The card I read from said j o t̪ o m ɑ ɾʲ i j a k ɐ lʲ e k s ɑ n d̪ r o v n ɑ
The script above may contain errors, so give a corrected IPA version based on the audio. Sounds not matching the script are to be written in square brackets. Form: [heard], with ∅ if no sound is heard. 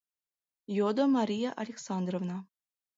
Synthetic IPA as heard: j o [d̪] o m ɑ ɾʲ i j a [ʔ] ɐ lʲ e k s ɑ n d̪ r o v n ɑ